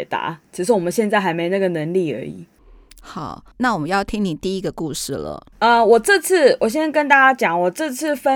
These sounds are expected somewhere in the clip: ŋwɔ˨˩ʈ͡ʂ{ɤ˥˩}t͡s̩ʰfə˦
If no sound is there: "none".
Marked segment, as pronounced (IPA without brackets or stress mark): ɤ˥˧